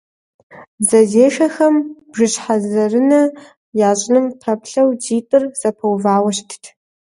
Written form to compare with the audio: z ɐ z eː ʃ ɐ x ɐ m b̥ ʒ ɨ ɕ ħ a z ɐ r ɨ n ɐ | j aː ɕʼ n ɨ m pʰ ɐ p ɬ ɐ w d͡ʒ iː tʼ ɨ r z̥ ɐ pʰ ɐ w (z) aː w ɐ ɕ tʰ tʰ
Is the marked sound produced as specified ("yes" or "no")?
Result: no